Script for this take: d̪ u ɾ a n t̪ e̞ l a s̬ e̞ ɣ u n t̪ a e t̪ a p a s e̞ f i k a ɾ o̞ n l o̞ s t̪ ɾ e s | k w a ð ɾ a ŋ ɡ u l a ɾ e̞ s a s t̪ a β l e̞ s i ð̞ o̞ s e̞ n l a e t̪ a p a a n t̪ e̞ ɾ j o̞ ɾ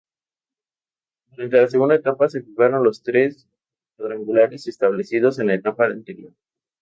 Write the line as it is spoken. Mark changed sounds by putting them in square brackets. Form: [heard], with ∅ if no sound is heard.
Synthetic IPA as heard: d̪ u ɾ a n t̪ e̞ l a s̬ e̞ ɣ u n [d̪] a e t̪ a p a s e̞ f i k a ɾ o̞ n l o̞ s t̪ ɾ e s | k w a ð ɾ a ŋ ɡ u l a ɾ e̞ s [e] s t̪ a β l e̞ s i ð̞ o̞ s e̞ n l a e t̪ a p a a n t̪ e̞ ɾ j o̞ ɾ